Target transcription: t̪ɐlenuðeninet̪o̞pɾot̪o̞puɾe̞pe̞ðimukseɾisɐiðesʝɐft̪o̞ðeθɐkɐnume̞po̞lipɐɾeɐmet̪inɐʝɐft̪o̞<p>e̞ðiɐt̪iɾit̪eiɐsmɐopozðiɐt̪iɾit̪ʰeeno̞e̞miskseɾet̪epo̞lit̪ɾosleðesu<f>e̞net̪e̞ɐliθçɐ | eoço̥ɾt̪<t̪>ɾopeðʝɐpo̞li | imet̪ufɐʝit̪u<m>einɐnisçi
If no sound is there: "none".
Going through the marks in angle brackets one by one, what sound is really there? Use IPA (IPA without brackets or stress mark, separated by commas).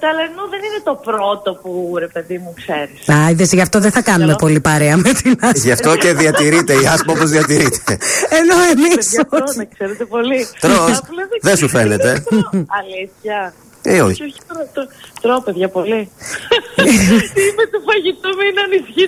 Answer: c, f, t̪, m